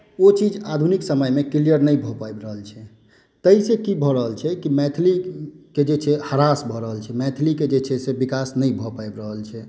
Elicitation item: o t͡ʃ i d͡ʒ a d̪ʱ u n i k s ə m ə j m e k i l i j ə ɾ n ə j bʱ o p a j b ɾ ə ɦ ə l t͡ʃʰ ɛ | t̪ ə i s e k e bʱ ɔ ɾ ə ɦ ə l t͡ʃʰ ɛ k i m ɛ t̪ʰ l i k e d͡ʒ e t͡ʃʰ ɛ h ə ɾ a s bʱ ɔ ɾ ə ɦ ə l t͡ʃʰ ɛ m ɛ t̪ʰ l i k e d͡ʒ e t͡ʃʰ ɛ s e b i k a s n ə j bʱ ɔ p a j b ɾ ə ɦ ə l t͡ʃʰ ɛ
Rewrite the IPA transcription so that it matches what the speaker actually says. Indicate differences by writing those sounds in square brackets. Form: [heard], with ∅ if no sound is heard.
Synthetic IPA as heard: o t͡ʃ i d͡ʒ a d̪ʱ u n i k s ə m ə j m e k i l i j ə ɾ n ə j bʱ [ɔ] p a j b ɾ ə ɦ ə l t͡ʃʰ ɛ | t̪ ə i s e k [i] bʱ ɔ ɾ ə ɦ ə l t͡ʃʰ ɛ k i m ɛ t̪ʰ l i k e d͡ʒ e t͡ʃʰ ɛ h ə ɾ a s bʱ ɔ ɾ ə ɦ ə l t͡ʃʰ ɛ m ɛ t̪ʰ l i k e d͡ʒ e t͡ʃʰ ɛ s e b i k a s n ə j bʱ ɔ p a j b ɾ ə ɦ ə l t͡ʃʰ ɛ

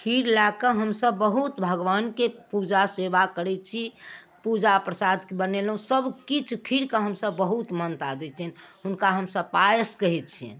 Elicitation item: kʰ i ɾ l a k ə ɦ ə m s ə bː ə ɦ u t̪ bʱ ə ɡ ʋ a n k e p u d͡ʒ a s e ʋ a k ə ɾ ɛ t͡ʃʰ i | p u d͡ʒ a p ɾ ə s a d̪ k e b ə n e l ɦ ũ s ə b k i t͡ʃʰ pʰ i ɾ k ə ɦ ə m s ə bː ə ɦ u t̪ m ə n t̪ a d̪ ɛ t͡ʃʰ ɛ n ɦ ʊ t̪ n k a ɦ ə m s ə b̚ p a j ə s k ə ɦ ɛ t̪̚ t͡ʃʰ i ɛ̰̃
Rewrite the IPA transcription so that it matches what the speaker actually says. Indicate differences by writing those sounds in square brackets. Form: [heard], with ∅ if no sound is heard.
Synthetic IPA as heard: kʰ i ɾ l a k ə ɦ ə m s ə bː ə ɦ u t̪ bʱ ə ɡ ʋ a n k e p u d͡ʒ a s e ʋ a k ə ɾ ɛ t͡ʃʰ i | p u d͡ʒ a p ɾ ə s a d̪ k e b ə n e l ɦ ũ s ə b k i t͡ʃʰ [kʰ] i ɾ k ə ɦ ə m s ə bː ə ɦ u t̪ m ə n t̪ a d̪ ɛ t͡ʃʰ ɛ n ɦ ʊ [∅] n k a ɦ ə m s ə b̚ p a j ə s k ə ɦ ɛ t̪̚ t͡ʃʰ i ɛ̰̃

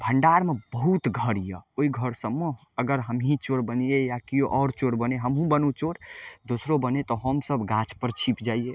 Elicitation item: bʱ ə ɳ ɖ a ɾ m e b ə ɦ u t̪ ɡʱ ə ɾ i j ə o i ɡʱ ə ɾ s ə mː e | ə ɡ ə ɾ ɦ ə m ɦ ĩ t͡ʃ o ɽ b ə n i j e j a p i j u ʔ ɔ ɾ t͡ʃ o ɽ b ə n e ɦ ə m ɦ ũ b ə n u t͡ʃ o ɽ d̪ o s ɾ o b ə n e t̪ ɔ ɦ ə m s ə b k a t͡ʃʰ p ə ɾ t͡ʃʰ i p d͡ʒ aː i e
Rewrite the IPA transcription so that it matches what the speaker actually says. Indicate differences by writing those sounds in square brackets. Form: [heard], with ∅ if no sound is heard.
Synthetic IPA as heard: bʱ ə ɳ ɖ a ɾ m e b ə ɦ u t̪ ɡʱ ə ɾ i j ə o i ɡʱ ə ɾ s ə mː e | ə ɡ ə ɾ ɦ ə m ɦ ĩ t͡ʃ o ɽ b ə n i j e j a [k] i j [o] ʔ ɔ ɾ t͡ʃ o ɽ b ə n e ɦ ə m ɦ ũ b ə n u t͡ʃ o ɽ d̪ o s ɾ o b ə n e t̪ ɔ ɦ ə m s ə b [ɡ] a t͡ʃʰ p ə ɾ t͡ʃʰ i p d͡ʒ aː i e

